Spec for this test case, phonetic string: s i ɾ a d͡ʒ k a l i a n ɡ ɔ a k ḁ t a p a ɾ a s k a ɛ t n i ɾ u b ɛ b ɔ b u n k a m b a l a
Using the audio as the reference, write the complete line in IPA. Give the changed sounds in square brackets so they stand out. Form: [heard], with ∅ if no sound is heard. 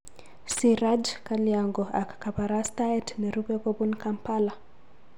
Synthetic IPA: s i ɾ a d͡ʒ k a l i a [ŋ] ɡ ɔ a k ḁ [k] a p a ɾ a s [t] a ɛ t n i ɾ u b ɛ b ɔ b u n k a m [p] a l a